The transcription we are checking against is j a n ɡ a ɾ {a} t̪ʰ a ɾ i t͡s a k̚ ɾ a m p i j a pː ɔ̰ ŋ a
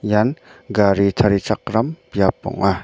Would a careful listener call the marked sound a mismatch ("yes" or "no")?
yes